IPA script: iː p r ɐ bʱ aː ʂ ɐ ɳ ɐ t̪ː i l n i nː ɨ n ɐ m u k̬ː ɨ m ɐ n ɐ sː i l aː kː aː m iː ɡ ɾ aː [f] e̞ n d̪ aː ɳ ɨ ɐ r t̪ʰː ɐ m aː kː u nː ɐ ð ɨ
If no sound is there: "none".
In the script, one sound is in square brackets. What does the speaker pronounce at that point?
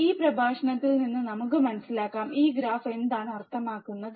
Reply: f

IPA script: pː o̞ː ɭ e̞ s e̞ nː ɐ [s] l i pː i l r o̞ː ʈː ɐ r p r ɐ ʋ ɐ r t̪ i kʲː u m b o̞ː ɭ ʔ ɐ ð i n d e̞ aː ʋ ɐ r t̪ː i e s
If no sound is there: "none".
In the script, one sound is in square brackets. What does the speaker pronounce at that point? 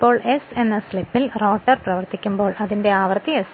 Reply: s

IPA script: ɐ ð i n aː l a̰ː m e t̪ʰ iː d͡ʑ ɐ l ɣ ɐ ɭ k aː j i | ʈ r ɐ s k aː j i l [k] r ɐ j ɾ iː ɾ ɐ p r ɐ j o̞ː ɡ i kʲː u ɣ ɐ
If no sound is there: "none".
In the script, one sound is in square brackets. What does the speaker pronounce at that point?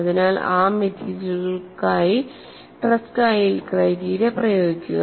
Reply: k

